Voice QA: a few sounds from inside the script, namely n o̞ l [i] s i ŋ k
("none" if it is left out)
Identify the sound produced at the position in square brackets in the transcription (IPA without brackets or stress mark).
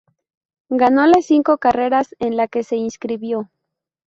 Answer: e